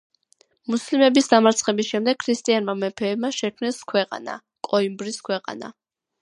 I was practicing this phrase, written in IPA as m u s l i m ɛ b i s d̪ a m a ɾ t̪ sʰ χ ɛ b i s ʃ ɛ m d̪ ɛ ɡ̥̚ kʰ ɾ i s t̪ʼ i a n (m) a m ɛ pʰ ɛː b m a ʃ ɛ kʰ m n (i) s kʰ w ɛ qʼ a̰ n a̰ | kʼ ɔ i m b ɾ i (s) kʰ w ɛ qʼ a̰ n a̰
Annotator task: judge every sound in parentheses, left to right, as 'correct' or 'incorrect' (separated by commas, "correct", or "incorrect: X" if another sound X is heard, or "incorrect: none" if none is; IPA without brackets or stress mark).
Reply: correct, incorrect: ɛ, correct